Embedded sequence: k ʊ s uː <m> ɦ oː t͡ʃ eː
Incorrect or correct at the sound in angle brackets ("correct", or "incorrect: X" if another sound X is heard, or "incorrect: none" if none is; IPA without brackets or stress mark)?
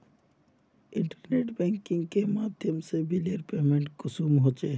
correct